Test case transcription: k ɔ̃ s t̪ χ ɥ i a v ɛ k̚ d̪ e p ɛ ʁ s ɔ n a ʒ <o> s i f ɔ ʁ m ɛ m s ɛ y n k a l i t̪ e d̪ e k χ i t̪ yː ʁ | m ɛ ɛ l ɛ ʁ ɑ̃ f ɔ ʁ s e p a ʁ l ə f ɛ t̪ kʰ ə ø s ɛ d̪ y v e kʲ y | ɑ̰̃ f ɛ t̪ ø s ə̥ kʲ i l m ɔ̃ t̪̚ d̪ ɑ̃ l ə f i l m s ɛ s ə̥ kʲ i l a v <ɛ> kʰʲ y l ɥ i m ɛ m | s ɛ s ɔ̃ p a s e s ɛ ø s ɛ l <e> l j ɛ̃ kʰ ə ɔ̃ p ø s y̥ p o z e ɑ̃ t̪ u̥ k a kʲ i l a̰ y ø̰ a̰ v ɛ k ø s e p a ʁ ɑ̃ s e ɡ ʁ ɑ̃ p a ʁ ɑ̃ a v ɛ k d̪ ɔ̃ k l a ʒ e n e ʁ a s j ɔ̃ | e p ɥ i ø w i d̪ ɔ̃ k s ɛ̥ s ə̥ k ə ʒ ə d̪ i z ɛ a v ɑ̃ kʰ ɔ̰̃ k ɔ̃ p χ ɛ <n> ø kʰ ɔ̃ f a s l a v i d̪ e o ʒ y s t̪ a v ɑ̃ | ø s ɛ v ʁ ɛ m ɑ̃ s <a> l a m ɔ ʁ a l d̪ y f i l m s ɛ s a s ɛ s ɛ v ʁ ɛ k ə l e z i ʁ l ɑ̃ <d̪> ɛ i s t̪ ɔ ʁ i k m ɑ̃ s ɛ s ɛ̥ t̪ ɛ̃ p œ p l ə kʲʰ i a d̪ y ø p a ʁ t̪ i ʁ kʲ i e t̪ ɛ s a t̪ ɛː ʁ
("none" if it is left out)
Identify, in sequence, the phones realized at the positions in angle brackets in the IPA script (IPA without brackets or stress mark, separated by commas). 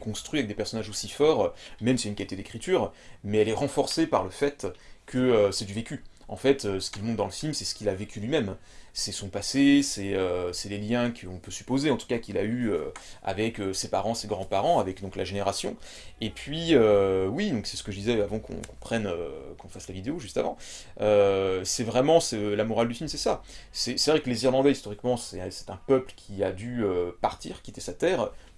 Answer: o, e, e, n, ɛ, d̪